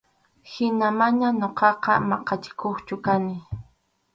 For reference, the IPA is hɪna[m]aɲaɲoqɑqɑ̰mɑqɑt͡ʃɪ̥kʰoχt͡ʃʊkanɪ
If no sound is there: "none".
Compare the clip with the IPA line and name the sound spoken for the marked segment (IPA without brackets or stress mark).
m